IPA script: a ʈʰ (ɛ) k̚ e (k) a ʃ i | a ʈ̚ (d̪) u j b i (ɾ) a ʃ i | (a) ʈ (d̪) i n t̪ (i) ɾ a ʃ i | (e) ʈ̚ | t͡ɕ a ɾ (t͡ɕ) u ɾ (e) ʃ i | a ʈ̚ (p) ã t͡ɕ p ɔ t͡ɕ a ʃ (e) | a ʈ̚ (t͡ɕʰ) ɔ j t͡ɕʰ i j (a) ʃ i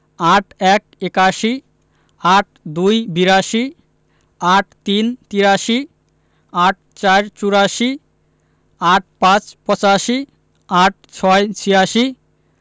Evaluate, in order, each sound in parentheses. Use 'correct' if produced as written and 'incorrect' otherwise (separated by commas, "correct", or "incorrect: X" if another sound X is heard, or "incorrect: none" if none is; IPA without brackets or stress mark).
correct, correct, correct, correct, correct, incorrect: t̪, correct, incorrect: a, correct, incorrect: a, correct, incorrect: i, correct, correct